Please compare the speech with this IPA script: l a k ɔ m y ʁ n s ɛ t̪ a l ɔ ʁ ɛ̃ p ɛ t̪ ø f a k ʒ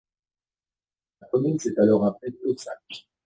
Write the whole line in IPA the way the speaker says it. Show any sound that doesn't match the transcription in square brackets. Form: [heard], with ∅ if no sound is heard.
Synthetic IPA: l a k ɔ m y [∅] n s ɛ t̪ a l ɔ ʁ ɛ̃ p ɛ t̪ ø [s] a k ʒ